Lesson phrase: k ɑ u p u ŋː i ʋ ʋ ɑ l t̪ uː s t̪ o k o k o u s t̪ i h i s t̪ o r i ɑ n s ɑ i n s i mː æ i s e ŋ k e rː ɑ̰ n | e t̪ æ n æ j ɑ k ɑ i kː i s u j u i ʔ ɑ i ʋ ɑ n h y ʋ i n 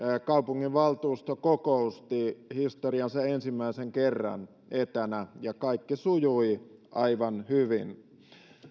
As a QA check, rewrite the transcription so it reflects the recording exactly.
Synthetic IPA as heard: k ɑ u p u ŋː i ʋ ʋ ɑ l t̪ uː s t̪ o k o k o u s t̪ i h i s t̪ o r i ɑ n s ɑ e n s i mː æ i s e ŋ k e rː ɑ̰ n | e t̪ æ n æ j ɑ k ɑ i kː i s u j u i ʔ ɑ i ʋ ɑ n h y ʋ i n